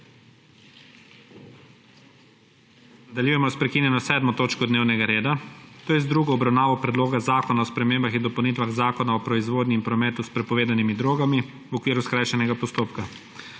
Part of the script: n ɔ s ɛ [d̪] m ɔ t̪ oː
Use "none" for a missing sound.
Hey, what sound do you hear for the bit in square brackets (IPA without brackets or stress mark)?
d̪